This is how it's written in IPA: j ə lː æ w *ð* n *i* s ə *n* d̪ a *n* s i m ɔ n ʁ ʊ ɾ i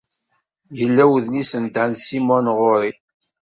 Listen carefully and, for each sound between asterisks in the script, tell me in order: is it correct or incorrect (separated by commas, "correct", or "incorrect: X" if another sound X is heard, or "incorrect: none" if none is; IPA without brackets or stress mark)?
correct, correct, correct, correct